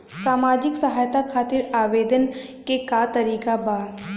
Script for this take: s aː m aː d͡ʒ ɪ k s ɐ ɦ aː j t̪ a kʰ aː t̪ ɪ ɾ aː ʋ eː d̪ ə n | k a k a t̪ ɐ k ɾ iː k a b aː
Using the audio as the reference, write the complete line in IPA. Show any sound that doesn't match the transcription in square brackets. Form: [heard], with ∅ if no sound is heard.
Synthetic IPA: s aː m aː d͡ʒ ɪ k s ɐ ɦ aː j t̪ a kʰ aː t̪ ɪ ɾ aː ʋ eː d̪ ə n | k [e] k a t̪ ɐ [∅] ɾ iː k a b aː